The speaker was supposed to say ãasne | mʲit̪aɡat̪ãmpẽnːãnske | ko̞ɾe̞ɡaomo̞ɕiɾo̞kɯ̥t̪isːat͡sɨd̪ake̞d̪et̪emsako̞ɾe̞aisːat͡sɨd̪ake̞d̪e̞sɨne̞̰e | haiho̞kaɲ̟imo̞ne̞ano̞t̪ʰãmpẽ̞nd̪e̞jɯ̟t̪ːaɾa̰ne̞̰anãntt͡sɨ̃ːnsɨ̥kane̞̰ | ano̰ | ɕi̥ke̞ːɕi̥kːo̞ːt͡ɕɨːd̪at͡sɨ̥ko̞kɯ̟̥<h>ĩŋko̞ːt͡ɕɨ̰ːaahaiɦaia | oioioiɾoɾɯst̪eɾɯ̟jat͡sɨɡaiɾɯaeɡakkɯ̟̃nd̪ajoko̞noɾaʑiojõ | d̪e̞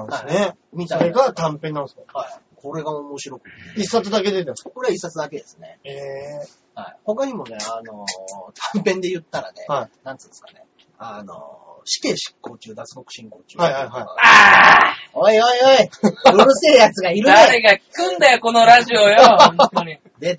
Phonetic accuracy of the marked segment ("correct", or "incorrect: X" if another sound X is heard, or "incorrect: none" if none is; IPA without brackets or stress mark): incorrect: ɕ